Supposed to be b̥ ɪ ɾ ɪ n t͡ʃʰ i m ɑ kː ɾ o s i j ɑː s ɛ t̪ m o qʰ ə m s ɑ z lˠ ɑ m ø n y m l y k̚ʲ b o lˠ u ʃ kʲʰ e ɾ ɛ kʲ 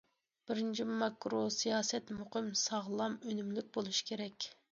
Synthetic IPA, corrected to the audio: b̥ ɪ ɾ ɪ n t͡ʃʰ i m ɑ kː ɾ o s i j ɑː s ɛ t̪ m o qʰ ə m s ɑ ʁ lˠ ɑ m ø n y m l y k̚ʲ b o lˠ u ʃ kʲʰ e ɾ ɛ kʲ